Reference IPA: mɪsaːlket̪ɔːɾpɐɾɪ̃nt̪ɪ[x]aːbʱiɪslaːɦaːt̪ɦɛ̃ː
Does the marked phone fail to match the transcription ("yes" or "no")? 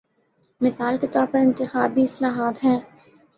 no